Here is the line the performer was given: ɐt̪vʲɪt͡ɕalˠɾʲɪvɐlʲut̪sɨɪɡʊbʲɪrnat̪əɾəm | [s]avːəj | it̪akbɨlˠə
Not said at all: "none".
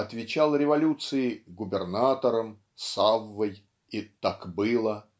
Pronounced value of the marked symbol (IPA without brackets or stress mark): s